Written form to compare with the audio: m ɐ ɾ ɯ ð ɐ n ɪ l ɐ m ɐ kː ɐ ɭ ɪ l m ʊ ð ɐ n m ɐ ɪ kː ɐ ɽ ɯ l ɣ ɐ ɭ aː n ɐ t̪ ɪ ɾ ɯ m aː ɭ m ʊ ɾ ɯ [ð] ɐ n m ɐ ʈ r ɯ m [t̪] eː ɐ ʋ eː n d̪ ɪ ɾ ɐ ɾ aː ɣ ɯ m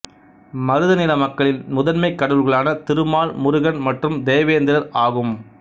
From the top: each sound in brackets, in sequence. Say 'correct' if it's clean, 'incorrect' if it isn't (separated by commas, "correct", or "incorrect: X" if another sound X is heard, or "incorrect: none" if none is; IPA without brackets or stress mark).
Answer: incorrect: ɣ, incorrect: d̪